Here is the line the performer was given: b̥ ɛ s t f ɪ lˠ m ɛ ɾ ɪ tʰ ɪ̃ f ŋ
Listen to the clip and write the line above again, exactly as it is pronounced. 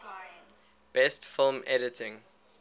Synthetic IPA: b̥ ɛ s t f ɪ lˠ m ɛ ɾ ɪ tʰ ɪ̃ ŋ